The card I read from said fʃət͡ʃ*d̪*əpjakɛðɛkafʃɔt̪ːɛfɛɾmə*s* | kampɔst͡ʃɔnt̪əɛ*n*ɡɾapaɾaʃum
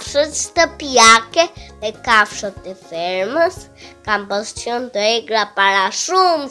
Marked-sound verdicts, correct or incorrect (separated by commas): incorrect, correct, incorrect